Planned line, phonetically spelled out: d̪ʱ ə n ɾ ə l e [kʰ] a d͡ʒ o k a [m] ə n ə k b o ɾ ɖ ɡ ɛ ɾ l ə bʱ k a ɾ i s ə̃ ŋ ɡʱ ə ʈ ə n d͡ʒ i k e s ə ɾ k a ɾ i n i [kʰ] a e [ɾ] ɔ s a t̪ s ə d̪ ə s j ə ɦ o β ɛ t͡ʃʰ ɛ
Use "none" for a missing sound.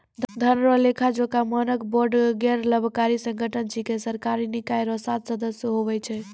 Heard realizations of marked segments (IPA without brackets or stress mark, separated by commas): kʰ, m, k, ɾ